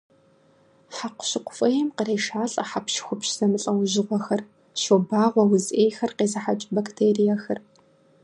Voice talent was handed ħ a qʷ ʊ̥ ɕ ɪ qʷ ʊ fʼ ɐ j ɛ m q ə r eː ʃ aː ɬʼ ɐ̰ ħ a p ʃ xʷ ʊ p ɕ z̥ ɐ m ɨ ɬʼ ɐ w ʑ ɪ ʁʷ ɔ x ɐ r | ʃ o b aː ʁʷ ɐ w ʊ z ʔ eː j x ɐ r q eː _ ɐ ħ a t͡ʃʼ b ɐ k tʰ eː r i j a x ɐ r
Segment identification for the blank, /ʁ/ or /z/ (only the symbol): z